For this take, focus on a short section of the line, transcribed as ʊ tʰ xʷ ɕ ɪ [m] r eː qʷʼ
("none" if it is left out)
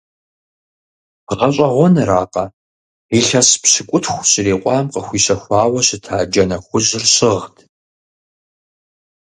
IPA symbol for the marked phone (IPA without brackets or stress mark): none